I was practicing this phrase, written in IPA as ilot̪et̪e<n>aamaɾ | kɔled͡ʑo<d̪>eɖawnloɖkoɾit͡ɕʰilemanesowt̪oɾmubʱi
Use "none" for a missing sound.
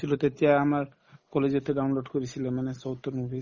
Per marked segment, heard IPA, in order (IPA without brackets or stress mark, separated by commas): none, t̪